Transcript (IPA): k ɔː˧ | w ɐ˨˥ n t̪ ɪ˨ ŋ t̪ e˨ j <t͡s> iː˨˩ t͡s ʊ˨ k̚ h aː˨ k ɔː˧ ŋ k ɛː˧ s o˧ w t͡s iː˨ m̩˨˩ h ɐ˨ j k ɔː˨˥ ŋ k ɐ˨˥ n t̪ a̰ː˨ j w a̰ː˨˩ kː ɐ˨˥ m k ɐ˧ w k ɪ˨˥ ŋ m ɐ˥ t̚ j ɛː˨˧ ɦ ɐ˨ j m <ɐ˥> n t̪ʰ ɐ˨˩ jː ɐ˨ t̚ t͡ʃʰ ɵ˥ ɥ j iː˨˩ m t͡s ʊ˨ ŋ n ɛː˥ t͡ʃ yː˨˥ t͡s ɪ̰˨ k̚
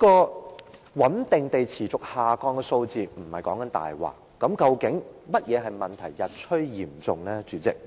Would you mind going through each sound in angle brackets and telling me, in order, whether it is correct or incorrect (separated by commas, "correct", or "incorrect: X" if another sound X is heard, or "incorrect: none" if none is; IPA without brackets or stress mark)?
incorrect: t͡sʰ, incorrect: ɐ˨